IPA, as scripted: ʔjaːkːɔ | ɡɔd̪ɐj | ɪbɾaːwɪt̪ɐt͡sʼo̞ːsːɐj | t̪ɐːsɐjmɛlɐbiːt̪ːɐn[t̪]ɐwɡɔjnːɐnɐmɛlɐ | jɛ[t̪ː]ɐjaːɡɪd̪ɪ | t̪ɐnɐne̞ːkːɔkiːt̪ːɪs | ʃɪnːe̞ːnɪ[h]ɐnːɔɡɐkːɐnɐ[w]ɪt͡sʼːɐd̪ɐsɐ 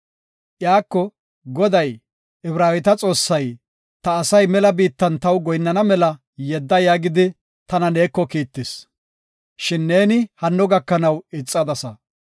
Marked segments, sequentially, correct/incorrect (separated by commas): correct, incorrect, correct, correct